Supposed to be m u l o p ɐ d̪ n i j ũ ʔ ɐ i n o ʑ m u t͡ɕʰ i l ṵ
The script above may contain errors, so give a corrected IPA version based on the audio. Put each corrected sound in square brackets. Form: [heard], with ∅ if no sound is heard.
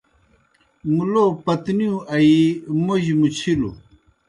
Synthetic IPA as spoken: m u l o p ɐ [t̪] n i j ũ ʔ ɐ i [m] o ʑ m u t͡ɕʰ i l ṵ